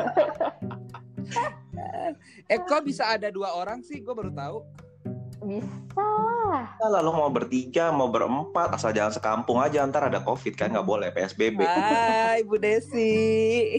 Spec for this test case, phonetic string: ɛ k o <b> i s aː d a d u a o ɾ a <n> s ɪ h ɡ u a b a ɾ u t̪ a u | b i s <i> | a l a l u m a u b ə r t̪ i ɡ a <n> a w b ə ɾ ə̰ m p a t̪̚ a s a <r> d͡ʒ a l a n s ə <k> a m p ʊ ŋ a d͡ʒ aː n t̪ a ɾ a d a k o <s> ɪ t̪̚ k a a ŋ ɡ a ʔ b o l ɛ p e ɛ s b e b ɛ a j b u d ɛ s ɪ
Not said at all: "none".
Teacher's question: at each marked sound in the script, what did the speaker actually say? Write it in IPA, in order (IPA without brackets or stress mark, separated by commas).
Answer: b, ŋ, a, m, l, k, f